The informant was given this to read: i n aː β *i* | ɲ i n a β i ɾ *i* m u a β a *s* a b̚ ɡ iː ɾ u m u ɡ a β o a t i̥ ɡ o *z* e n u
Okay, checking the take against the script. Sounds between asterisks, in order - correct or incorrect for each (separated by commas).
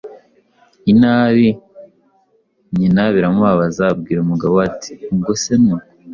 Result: correct, incorrect, incorrect, incorrect